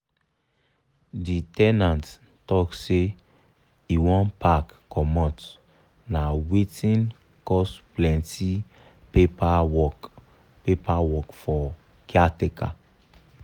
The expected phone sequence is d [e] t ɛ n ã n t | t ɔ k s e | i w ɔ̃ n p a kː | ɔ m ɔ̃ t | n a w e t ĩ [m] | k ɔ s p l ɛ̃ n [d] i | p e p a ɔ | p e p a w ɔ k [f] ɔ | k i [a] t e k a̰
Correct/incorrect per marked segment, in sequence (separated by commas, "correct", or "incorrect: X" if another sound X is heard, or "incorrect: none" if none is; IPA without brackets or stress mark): incorrect: i, incorrect: n, incorrect: t, correct, correct